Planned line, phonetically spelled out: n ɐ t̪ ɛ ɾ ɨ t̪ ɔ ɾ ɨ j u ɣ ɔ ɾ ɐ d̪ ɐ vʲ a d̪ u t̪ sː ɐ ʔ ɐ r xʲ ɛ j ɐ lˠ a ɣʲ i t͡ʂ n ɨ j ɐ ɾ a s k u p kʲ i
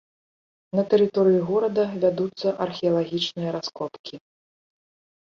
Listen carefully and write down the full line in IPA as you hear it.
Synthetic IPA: n ɐ t̪ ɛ ɾ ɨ t̪ ɔ ɾ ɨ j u ɣ ɔ ɾ ɐ d̪ ɐ vʲ a d̪ u t̪ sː ɐ ʔ ɐ r xʲ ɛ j ɐ lˠ a ɣʲ i t͡ʂ n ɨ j ɐ ɾ a s k ɔ p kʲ i